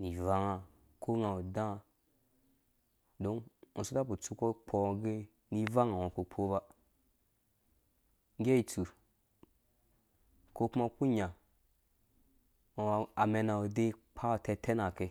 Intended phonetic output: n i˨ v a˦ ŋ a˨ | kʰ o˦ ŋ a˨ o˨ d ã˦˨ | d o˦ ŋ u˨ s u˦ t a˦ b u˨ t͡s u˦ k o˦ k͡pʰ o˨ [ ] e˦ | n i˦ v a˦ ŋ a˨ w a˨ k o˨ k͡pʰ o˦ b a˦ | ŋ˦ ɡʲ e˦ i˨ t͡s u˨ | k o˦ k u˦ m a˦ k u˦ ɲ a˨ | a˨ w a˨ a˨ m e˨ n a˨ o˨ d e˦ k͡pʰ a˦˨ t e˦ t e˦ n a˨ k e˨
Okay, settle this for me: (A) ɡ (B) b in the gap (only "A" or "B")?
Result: A